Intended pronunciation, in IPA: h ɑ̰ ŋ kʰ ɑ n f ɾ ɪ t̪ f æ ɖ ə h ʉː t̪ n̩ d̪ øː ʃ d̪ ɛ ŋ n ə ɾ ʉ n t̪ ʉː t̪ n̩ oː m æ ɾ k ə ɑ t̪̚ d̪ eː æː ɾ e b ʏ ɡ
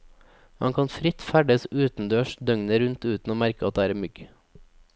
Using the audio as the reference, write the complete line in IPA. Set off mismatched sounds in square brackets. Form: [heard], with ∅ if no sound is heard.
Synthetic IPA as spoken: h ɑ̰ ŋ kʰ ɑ n f ɾ ɪ t̪ f æ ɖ ə [s] ʉː t̪ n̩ d̪ øː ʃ d̪ [œ] ŋ n ə ɾ ʉ n t̪ ʉː t̪ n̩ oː m æ ɾ k ə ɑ t̪̚ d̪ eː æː ɾ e [m] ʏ ɡ